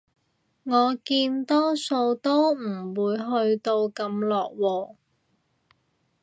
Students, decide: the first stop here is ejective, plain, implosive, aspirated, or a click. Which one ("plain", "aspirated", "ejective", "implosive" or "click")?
plain